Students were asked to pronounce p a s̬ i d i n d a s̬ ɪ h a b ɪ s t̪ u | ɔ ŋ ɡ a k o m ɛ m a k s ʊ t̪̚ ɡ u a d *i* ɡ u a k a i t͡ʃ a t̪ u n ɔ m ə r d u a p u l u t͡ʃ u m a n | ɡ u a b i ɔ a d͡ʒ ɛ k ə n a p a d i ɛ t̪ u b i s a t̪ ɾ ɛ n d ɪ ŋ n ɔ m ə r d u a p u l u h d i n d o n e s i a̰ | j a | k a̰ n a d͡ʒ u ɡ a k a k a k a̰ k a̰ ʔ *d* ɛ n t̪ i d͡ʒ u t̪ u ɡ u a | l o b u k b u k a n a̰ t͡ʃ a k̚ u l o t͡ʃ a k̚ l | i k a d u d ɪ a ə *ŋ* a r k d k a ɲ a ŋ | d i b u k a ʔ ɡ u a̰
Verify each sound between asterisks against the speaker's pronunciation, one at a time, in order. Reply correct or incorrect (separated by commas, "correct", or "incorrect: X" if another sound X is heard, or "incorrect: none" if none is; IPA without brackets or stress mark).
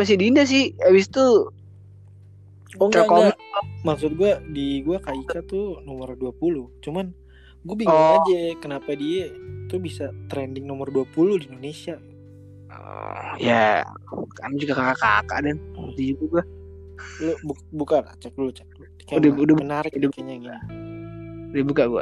correct, correct, incorrect: n